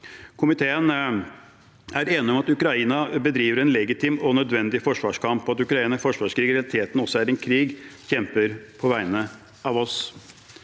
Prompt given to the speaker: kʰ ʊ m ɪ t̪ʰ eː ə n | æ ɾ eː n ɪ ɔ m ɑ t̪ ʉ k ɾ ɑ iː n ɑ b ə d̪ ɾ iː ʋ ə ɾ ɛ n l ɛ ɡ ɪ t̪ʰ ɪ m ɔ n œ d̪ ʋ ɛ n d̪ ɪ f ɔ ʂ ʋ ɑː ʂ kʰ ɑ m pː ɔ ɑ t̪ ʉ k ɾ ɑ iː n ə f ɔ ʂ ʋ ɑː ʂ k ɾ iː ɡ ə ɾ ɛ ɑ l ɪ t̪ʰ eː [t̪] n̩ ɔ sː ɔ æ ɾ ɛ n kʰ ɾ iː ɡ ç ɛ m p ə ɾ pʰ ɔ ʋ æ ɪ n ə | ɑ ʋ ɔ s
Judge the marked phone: correct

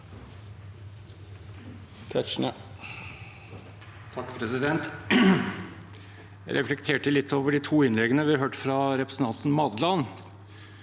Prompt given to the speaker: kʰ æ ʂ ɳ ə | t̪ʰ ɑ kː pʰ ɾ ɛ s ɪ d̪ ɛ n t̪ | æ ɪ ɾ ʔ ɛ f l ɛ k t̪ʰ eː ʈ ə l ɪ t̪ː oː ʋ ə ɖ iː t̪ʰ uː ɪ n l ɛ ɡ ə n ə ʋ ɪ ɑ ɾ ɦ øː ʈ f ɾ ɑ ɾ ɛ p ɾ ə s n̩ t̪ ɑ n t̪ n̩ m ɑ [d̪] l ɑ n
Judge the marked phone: correct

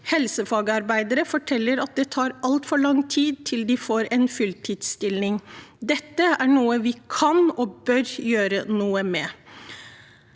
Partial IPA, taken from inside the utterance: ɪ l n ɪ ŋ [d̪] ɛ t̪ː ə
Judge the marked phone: correct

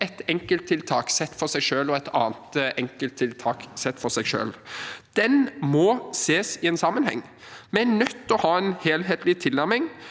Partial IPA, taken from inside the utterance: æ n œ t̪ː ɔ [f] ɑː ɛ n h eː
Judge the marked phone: incorrect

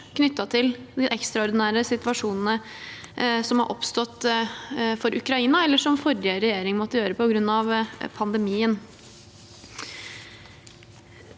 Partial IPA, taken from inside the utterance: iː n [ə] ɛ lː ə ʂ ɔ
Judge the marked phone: incorrect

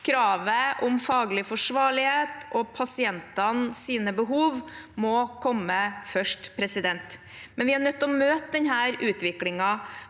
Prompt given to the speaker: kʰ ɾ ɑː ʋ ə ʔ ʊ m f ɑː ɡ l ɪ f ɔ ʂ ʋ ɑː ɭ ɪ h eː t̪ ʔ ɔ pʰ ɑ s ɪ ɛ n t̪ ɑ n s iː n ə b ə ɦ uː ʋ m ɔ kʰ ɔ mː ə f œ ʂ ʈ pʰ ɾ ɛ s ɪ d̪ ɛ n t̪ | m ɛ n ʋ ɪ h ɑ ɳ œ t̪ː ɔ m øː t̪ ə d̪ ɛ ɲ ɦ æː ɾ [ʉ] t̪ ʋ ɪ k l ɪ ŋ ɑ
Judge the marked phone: incorrect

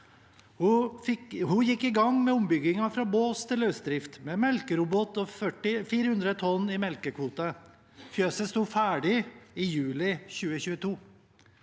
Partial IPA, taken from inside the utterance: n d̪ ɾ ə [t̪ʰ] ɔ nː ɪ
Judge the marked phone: correct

